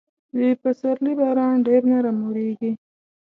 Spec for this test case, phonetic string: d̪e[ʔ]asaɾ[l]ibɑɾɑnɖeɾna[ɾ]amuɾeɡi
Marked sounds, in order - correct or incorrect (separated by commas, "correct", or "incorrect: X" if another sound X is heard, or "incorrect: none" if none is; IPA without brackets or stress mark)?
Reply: incorrect: p, correct, correct